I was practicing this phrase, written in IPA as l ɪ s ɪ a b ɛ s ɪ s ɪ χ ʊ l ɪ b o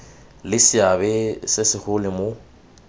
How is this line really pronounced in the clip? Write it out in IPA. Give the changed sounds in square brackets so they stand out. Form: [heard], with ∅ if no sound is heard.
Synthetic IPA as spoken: l ɪ s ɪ a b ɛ s ɪ s ɪ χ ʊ l ɪ [m] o